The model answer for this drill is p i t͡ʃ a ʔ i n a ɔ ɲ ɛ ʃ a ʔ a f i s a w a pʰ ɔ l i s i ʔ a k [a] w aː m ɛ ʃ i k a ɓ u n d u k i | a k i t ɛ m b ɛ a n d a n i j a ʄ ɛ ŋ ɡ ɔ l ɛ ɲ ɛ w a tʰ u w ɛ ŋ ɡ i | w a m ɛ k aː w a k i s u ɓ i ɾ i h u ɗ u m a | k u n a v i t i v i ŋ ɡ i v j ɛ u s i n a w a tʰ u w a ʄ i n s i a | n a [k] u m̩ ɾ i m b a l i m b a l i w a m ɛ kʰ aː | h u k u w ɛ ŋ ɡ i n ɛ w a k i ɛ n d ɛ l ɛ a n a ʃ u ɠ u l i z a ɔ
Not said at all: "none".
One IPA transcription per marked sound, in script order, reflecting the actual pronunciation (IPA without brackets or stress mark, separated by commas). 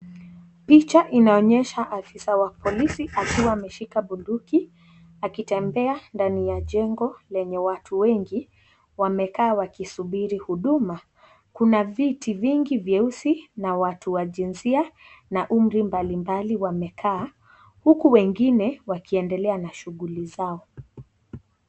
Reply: i, ʔ